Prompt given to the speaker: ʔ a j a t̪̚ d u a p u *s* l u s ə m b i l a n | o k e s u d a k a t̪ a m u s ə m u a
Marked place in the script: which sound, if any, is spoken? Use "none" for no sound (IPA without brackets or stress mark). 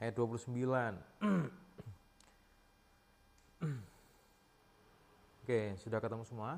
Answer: none